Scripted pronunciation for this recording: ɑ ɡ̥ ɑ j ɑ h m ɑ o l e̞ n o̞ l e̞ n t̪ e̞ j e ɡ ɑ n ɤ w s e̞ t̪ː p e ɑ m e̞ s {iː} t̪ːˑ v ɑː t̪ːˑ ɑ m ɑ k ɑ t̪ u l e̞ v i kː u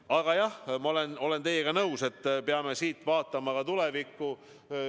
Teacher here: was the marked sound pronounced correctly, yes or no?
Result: yes